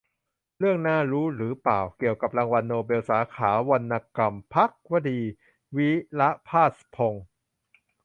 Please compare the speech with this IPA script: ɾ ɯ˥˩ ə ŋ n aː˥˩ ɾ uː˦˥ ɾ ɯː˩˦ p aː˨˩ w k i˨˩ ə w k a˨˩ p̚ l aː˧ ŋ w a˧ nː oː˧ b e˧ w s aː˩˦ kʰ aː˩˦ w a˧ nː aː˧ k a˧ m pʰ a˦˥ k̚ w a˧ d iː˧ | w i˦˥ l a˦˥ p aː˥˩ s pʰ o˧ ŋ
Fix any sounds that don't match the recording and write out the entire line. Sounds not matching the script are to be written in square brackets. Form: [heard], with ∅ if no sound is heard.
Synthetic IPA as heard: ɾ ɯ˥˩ ə ŋ n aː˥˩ ɾ uː˦˥ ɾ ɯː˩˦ p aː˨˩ w k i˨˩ ə w k a˨˩ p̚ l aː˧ ŋ w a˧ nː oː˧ b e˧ w s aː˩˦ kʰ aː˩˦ w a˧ nː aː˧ k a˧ m pʰ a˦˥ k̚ w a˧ d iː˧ | w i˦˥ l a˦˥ [pʰ] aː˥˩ s pʰ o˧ ŋ

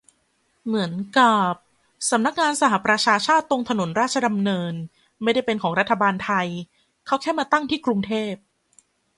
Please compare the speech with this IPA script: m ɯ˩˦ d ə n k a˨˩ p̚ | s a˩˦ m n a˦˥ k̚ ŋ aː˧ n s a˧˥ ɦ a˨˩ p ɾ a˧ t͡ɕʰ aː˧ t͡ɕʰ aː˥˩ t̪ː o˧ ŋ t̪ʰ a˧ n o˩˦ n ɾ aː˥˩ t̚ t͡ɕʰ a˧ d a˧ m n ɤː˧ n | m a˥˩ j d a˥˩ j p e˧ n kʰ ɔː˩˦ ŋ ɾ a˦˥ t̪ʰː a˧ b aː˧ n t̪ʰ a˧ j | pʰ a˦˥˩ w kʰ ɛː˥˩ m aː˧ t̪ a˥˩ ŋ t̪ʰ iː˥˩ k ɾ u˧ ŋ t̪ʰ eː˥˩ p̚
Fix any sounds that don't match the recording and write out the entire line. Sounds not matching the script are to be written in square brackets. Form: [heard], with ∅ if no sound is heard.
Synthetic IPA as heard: m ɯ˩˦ [∅] ə n k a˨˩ p̚ | s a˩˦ m n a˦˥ k̚ ŋ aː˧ n s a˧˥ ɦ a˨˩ p ɾ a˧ t͡ɕʰ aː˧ t͡ɕʰ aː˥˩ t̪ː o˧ ŋ t̪ʰ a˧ n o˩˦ n ɾ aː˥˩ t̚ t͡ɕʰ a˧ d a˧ m n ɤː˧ n | m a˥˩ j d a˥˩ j p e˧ n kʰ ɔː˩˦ ŋ ɾ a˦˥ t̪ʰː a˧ b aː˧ n t̪ʰ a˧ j | [kʰ] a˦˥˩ w kʰ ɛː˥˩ m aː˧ t̪ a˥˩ ŋ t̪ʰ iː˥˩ k ɾ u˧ ŋ t̪ʰ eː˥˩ p̚

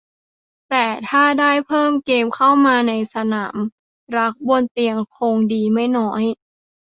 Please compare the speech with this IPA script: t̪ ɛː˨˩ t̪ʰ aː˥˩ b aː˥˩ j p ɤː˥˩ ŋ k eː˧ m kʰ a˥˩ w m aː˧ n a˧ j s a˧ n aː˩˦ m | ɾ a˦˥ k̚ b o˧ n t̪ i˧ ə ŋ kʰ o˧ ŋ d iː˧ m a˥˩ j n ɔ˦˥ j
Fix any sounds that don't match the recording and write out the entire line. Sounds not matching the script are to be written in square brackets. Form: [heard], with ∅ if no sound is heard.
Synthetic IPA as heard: t̪ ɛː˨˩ t̪ʰ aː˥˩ [d] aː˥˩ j [pʰ] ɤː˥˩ [m] k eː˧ m kʰ a˥˩ w m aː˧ n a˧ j s a˧ n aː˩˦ m | ɾ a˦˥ k̚ b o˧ n t̪ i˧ ə ŋ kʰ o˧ ŋ d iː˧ m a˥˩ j n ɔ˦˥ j

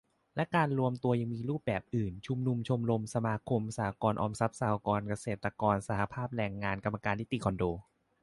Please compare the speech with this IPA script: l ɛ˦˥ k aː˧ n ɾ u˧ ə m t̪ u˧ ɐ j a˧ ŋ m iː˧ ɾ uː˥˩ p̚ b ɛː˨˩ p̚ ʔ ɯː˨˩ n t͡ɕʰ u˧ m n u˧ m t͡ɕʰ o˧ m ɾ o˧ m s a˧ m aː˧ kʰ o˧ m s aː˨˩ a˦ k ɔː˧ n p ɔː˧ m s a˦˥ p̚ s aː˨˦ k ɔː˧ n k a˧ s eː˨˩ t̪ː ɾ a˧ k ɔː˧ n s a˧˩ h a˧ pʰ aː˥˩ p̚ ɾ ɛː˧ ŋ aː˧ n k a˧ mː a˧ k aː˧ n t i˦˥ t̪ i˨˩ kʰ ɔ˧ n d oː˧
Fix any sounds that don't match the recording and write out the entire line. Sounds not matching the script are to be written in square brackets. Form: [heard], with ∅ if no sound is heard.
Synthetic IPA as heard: l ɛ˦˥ k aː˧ n ɾ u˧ ə m t̪ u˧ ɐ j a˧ ŋ m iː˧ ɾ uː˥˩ p̚ b ɛː˨˩ p̚ ʔ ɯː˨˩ n t͡ɕʰ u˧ m n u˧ m t͡ɕʰ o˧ m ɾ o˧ m s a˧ m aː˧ kʰ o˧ m s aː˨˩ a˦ k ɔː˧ n [ʔ] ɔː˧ m s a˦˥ p̚ s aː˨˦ k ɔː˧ n k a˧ s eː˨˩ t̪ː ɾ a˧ k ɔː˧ n s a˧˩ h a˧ pʰ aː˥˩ p̚ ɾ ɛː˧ [ŋː] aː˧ n k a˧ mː a˧ k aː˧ n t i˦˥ t̪ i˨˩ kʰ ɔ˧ n d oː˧

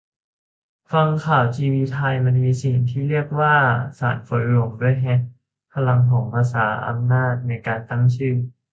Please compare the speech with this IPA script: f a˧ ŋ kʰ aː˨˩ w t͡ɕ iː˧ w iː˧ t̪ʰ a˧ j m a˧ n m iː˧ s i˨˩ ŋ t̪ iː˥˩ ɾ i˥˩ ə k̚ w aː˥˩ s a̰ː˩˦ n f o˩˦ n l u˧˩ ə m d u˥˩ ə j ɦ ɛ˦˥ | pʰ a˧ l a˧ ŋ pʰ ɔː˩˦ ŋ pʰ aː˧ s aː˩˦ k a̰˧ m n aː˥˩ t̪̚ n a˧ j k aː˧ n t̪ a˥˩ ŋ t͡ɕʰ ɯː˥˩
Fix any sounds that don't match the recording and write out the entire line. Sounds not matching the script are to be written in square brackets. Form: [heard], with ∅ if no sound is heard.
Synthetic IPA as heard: f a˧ ŋ kʰ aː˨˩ w t͡ɕ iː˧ w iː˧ t̪ʰ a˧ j m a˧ n m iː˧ s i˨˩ ŋ [t̪ʰ] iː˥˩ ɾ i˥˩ ə k̚ w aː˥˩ s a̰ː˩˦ n f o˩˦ n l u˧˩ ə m d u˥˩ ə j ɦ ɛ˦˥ | pʰ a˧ l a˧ ŋ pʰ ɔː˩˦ ŋ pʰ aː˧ s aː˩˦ [ʔ] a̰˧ m n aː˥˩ t̪̚ n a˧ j k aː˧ n t̪ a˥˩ ŋ t͡ɕʰ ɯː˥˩

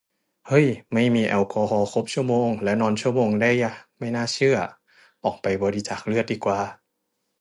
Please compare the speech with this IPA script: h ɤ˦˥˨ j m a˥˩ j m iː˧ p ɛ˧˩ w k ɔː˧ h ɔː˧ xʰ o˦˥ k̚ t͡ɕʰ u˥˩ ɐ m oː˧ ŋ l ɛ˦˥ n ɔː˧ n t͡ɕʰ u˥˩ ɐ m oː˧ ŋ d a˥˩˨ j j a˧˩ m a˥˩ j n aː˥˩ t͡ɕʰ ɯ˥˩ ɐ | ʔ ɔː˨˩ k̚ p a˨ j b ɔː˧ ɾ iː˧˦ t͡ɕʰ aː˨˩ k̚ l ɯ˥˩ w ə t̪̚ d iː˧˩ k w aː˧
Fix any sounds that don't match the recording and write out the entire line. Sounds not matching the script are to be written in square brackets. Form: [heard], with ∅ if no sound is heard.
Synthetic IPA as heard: h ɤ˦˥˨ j m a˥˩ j m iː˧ [ʔ] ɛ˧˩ w k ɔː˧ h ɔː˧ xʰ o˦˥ [p̚] t͡ɕʰ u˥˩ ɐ m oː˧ ŋ l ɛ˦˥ n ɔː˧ n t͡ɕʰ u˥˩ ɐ m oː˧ ŋ d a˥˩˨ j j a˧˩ m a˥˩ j n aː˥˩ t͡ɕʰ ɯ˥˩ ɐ | ʔ ɔː˨˩ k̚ p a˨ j b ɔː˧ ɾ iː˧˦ [t͡ɕ] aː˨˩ k̚ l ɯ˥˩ [∅] ə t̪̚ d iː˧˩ k w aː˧

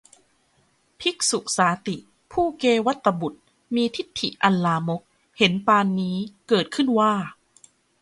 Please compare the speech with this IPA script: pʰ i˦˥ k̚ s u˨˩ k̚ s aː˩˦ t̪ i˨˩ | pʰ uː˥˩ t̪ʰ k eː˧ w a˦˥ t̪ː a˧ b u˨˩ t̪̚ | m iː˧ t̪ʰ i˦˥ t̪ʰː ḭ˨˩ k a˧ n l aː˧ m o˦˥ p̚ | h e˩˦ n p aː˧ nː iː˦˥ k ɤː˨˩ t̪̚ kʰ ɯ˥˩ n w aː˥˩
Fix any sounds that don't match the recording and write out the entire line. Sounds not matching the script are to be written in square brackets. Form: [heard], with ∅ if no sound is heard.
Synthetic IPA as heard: pʰ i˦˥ k̚ s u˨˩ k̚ s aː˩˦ t̪ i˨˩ | pʰ uː˥˩ [∅] k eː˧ w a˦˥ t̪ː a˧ b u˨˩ t̪̚ | m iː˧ t̪ʰ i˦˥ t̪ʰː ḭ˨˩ [ʔ] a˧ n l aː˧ m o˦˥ [k̚] | h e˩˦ n p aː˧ nː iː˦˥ k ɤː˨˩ t̪̚ kʰ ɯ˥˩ n w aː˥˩

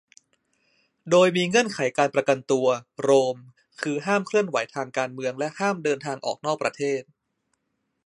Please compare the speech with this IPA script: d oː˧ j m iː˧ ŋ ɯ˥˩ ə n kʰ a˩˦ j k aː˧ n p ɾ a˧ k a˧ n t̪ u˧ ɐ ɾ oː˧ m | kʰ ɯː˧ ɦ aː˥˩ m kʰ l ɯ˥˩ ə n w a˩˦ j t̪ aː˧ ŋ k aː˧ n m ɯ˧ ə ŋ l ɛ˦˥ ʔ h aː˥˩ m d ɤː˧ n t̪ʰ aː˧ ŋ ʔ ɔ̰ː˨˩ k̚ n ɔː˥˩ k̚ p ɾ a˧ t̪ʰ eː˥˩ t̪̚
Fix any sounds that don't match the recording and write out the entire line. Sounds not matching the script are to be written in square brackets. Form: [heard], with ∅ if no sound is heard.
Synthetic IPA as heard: d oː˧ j m iː˧ ŋ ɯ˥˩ ə n kʰ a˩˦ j k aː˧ n p ɾ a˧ k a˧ n t̪ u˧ ɐ ɾ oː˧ m | kʰ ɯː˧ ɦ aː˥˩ m kʰ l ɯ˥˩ ə n w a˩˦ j [t̪ʰ] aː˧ ŋ k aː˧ n m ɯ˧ ə ŋ l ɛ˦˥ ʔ h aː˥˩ m d ɤː˧ n t̪ʰ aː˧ ŋ ʔ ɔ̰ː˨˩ k̚ n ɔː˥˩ k̚ p ɾ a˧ t̪ʰ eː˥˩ t̪̚

